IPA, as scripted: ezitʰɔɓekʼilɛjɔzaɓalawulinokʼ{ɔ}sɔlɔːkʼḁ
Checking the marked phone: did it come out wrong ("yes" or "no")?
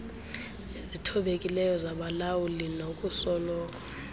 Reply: yes